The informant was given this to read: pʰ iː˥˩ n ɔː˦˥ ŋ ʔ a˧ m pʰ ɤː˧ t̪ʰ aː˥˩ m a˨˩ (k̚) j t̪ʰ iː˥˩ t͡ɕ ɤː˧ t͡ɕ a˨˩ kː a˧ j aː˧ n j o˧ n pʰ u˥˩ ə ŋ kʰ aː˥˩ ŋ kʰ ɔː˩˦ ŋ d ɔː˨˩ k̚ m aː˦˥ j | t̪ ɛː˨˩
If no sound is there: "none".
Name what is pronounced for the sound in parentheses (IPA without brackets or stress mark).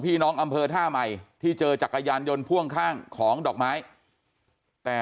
none